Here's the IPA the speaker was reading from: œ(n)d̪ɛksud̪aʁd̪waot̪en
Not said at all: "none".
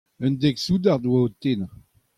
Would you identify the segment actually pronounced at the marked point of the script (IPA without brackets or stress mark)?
n